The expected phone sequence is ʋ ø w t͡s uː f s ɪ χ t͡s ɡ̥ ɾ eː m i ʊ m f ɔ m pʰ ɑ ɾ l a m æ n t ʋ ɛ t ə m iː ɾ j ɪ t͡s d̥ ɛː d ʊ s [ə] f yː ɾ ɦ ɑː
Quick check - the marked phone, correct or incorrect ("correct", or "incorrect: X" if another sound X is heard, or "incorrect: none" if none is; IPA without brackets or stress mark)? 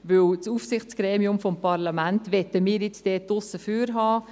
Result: correct